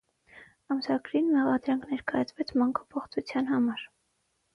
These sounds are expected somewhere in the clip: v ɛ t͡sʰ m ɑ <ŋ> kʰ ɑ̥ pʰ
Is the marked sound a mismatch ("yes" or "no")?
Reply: no